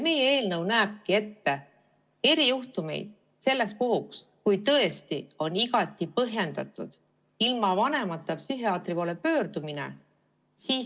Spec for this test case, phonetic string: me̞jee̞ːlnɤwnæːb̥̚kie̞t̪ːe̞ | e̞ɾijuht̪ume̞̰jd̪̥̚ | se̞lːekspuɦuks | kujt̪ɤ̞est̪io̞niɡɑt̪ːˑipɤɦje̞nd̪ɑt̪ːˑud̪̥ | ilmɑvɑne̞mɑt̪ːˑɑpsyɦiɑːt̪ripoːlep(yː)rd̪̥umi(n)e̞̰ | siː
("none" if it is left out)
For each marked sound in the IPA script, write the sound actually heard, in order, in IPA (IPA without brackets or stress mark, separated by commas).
øː, n